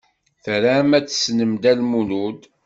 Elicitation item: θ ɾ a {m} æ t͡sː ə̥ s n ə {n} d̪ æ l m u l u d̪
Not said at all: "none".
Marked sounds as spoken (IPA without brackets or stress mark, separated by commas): m, m